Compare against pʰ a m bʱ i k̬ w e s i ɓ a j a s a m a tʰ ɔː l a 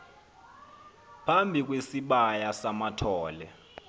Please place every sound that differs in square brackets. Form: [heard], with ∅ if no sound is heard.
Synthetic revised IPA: pʰ a m bʱ i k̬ w e s i ɓ a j a s a m a tʰ ɔː l [ɛ]